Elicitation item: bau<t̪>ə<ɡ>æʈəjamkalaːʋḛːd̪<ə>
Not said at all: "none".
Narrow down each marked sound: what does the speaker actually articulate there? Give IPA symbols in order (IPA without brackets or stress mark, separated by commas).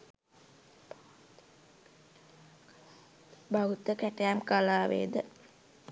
t̪, k, ə